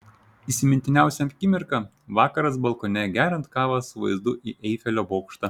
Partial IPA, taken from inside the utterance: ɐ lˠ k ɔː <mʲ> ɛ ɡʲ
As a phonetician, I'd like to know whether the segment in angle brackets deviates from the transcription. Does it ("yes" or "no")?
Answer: yes